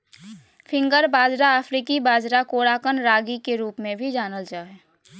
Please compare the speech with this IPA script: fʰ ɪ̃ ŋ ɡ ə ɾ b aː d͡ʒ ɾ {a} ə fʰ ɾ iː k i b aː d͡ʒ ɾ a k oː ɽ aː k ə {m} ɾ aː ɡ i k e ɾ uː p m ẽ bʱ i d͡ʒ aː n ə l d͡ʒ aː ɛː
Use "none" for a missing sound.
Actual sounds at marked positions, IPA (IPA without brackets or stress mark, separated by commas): a, n